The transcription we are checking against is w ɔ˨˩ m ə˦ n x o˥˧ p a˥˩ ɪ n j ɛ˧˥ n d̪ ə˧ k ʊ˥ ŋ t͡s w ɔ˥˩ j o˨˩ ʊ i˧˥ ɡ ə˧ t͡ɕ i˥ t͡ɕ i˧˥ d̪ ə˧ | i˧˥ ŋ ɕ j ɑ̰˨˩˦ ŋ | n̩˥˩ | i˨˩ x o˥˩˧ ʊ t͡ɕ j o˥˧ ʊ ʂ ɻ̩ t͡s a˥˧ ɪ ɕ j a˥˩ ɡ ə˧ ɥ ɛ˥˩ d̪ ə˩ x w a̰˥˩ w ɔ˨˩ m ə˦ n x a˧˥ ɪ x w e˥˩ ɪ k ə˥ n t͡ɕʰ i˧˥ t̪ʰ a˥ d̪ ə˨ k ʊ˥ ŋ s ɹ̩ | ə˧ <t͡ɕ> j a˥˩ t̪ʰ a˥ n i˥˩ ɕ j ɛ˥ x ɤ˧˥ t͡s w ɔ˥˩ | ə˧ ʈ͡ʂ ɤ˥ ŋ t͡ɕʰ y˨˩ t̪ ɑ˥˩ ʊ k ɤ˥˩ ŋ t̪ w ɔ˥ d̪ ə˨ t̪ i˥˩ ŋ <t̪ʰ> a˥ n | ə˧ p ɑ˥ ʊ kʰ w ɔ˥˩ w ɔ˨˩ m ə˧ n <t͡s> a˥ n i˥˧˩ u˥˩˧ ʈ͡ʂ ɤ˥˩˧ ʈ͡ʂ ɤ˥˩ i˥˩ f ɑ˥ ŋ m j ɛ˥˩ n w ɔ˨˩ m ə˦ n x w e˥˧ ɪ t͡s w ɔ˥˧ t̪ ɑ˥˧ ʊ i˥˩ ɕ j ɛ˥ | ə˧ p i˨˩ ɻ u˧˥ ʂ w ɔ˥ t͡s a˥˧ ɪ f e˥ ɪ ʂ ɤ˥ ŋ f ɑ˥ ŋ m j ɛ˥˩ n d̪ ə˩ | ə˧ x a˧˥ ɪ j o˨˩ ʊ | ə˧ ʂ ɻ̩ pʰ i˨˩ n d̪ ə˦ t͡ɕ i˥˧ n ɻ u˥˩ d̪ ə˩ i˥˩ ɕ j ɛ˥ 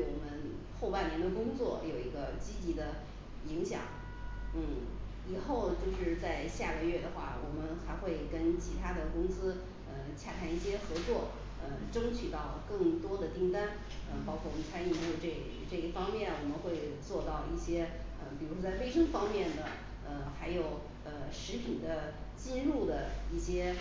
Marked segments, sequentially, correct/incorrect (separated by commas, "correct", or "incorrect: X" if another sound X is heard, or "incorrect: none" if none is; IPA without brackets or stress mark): incorrect: t͡ɕʰ, incorrect: t̪, incorrect: t͡sʰ